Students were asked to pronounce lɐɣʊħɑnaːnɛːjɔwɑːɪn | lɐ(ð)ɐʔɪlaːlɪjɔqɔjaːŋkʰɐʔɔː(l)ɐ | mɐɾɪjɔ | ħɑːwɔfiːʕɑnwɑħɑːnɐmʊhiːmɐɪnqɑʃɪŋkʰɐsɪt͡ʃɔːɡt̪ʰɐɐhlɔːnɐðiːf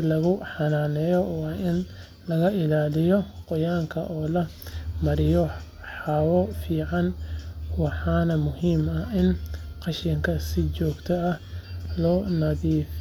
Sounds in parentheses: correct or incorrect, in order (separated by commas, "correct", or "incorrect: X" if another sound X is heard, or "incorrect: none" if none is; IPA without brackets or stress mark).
incorrect: ɣ, correct